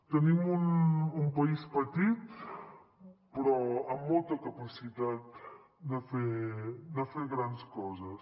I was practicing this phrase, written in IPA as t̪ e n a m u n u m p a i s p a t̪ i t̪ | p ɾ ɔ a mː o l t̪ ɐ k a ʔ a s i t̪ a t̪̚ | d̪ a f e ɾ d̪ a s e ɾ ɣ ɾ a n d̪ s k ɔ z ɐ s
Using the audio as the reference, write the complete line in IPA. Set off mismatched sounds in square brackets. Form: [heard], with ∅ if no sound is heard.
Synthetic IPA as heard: t̪ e n [i] m u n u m p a i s p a t̪ i t̪ | p ɾ ɔ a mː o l t̪ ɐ k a [p] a s i t̪ a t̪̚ | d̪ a f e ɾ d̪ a [f] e ɾ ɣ ɾ a n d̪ s k ɔ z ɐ s